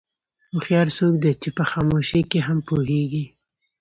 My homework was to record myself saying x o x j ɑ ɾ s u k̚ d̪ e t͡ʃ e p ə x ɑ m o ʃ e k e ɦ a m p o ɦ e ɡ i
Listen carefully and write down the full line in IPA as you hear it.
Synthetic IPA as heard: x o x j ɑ ɾ s o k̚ d̪ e t͡ʃ e p ə x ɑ m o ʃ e k e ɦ a m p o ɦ e ɡ i